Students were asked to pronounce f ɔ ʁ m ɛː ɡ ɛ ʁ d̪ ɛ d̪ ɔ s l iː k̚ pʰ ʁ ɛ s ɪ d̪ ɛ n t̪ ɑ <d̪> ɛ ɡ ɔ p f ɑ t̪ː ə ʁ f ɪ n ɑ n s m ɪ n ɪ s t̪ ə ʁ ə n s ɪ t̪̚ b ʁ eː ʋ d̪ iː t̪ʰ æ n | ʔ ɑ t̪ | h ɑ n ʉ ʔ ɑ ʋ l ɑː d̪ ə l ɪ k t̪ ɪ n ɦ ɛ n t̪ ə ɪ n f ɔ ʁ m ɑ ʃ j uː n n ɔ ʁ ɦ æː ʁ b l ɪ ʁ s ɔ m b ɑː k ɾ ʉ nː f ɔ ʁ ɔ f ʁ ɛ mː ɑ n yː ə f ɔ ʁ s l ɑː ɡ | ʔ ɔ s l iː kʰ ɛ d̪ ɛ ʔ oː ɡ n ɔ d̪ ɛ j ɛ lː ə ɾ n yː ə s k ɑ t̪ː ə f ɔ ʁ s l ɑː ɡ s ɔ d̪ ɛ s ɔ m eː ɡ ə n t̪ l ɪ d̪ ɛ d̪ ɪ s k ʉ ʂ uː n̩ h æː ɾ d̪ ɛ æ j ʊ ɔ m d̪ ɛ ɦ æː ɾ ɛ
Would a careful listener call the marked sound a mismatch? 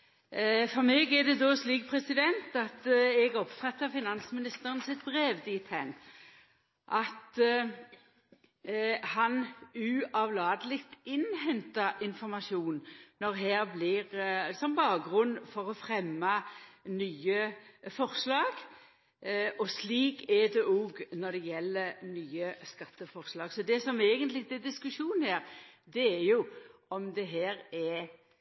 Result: yes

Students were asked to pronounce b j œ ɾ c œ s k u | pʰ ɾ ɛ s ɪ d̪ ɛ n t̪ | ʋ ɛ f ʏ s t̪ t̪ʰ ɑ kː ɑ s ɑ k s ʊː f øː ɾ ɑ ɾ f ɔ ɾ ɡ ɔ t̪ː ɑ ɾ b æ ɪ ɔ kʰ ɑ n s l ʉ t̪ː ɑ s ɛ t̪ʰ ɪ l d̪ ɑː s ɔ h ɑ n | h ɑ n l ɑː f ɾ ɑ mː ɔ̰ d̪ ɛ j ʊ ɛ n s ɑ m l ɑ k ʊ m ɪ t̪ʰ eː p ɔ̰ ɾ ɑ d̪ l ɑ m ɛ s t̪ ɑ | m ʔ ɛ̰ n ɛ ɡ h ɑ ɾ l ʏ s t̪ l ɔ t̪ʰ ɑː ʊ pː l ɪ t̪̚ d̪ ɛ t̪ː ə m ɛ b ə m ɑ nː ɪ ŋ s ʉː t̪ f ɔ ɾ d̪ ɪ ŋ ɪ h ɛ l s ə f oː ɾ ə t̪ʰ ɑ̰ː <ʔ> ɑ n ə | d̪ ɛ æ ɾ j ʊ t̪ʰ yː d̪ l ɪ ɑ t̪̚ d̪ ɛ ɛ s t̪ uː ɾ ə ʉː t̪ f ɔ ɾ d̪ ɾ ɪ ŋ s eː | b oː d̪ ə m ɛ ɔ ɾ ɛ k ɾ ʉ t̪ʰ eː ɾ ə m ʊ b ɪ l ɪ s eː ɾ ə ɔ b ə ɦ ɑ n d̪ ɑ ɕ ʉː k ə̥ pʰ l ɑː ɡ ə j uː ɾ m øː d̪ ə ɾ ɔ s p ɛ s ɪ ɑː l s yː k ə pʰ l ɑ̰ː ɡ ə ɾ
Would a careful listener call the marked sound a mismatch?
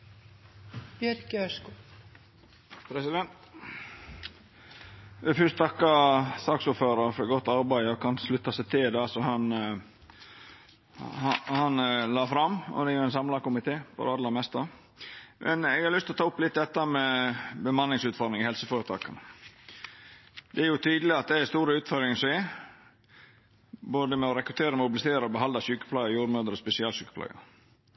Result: yes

